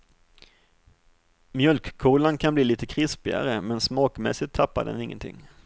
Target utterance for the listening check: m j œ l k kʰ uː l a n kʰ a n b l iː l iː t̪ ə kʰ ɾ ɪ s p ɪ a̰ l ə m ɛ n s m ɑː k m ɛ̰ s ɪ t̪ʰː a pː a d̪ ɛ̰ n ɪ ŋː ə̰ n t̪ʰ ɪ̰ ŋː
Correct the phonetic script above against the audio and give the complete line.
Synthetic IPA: m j œ l k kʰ uː l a n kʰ a n b l iː l iː t̪ ə kʰ ɾ ɪ s p ɪ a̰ ɾ ə m ɛ n s m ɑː k m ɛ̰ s ɪ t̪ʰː a pː a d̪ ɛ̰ n ɪ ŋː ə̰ n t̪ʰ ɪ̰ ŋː